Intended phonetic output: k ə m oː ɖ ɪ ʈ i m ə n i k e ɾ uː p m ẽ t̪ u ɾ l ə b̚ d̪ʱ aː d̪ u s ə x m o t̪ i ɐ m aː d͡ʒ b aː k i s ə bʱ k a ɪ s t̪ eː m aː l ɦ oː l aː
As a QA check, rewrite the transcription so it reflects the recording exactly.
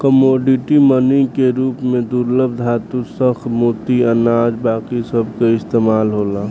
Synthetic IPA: k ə m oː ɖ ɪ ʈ i m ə n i k e ɾ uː p m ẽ d̪ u ɾ l ə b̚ d̪ʱ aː t̪ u s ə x m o t̪ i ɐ n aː d͡ʒ b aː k i s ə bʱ k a ɪ s t̪ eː m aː l ɦ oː l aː